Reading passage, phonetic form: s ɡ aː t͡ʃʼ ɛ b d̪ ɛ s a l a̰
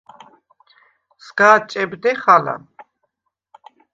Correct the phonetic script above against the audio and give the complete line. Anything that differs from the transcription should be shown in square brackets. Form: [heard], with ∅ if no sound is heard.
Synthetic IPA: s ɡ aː t͡ʃʼ ɛ b d̪ ɛ [χ] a l a̰